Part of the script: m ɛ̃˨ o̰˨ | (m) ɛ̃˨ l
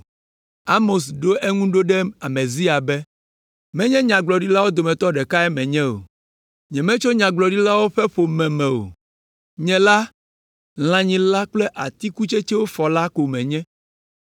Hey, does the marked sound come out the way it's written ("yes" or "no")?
no